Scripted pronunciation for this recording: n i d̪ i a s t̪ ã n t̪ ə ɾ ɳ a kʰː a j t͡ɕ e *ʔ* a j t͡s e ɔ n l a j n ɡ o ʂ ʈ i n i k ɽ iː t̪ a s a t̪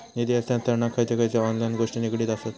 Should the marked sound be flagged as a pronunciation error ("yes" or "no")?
yes